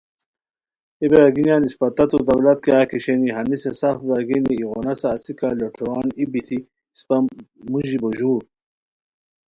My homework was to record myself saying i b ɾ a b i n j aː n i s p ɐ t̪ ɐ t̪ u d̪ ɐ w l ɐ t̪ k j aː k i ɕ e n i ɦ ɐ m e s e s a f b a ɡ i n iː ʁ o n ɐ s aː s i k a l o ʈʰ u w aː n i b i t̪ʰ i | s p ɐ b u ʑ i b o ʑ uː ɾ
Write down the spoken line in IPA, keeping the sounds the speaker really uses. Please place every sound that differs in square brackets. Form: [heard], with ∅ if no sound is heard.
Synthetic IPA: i b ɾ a [ɡ] i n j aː n i s p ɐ t̪ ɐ t̪ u d̪ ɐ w l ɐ t̪ k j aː k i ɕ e n i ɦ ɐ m [i] s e s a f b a ɡ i n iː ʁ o n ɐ s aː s i k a l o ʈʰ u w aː n i b i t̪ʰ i | s p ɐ [m] u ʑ i b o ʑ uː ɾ

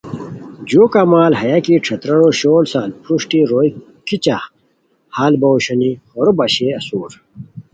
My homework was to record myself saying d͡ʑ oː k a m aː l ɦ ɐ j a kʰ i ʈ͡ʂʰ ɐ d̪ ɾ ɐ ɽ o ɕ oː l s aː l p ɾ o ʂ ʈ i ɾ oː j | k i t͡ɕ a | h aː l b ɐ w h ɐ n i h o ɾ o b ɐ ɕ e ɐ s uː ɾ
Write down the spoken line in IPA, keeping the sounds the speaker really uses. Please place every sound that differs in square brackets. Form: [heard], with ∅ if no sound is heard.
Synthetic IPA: d͡ʑ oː k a m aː l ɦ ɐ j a [k] i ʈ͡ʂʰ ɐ [t̪] ɾ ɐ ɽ o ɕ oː l s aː l p ɾ [u] ʂ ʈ i ɾ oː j | k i t͡ɕ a | h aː l b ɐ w [ɕ] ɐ n i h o ɾ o b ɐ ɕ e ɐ s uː ɾ

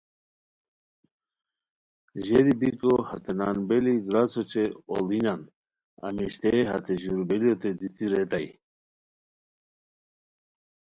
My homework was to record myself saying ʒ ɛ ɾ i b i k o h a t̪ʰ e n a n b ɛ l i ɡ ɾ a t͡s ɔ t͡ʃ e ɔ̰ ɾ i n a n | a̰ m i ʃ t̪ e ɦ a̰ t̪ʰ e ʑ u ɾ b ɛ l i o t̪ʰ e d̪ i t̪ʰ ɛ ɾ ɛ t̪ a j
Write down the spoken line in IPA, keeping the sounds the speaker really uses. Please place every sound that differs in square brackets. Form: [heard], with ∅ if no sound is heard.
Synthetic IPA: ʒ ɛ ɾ i b i k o h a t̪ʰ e n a n b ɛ l i ɡ ɾ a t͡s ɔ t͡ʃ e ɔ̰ [l] i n a n | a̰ m i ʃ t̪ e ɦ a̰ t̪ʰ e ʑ u ɾ b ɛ l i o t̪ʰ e d̪ i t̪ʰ [i] ɾ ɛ t̪ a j

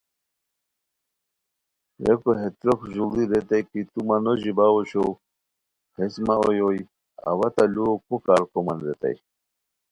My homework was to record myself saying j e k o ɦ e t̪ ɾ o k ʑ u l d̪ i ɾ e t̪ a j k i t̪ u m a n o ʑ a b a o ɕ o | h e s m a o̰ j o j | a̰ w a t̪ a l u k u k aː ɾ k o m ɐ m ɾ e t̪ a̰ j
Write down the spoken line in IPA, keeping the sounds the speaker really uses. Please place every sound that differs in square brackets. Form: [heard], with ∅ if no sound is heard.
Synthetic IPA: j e k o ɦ e t̪ ɾ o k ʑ u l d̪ i ɾ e t̪ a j k i t̪ u m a n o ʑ [i] b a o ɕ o | h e s m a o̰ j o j | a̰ w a t̪ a l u k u k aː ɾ k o m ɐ [n] ɾ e t̪ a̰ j

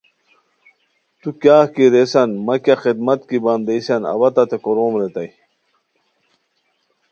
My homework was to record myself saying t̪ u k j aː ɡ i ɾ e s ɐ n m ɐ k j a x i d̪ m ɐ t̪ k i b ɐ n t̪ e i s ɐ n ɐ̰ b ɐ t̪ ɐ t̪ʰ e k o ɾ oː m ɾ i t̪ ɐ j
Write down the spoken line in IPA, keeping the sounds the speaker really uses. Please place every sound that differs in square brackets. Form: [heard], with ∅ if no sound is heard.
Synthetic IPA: t̪ u k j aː [k] i ɾ e s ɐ n m ɐ k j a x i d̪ m ɐ t̪ k i b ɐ n [d̪] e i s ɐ n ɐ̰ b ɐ t̪ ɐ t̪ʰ e k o ɾ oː m ɾ [e] t̪ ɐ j

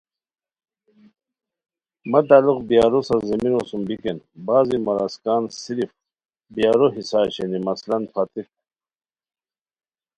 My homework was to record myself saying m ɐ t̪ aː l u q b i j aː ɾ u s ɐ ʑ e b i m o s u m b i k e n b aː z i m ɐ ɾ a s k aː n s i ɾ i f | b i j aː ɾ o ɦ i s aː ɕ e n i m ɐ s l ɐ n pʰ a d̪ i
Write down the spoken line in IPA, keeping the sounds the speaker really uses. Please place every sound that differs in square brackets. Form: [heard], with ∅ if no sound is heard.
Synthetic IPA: m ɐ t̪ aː l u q b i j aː ɾ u s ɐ [z] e [m] i [n] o s u m b i k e n b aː z i m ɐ ɾ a s k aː n s i ɾ i f | b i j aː ɾ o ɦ i s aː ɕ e n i m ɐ s l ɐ n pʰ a [t̪] i

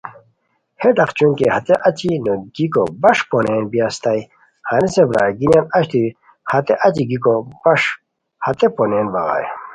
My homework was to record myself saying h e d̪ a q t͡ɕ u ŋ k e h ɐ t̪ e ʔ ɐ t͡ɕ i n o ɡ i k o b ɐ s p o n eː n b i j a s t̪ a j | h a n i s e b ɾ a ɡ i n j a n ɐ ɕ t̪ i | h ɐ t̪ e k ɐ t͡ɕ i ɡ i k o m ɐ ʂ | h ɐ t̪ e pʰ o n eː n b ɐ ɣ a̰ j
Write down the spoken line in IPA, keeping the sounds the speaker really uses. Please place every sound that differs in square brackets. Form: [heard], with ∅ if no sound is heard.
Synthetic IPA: h e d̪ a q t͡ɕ u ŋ k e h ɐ t̪ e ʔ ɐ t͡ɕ i n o ɡ i k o b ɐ [ʂ] p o n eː n b i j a s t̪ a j | h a n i s e b ɾ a ɡ i n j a n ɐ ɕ t̪ i | h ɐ t̪ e [ʔ] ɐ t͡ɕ i ɡ i k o [b] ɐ ʂ | h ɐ t̪ e [p] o n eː n b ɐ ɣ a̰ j

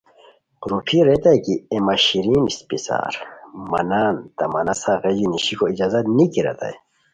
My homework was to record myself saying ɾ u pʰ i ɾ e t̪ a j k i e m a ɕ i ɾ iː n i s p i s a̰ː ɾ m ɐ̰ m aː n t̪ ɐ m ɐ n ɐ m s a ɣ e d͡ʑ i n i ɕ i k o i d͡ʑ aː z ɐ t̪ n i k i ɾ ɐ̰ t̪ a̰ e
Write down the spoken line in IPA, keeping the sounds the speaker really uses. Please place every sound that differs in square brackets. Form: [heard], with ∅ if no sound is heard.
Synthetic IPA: ɾ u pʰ i ɾ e t̪ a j k i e m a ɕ i ɾ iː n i s p i s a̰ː ɾ m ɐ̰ [n] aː n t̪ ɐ m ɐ n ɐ [∅] s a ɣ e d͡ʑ i n i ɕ i k o i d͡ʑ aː z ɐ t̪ n i k i ɾ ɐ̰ t̪ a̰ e

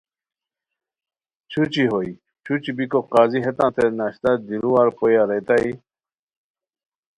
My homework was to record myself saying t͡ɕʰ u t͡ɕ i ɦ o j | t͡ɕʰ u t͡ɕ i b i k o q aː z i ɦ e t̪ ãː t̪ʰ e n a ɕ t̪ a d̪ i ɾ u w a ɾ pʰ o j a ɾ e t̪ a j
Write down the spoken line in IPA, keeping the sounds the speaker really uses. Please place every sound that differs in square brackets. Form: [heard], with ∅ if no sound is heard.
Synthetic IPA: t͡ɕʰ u t͡ɕ i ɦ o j | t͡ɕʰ u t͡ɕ i b i k o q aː z i ɦ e t̪ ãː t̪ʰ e n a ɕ t̪ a d̪ i ɾ u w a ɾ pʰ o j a ɾ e t̪ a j

